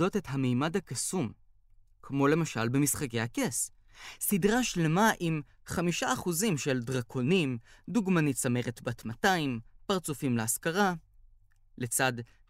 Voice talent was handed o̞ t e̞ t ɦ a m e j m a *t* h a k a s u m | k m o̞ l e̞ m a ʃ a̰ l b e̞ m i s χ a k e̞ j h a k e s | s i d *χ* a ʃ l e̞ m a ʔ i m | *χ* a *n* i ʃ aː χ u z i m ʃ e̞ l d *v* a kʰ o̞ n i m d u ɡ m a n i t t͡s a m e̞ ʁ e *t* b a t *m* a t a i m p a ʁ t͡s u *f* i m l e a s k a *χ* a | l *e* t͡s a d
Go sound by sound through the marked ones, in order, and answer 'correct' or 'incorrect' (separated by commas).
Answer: incorrect, incorrect, correct, incorrect, incorrect, correct, correct, correct, incorrect, correct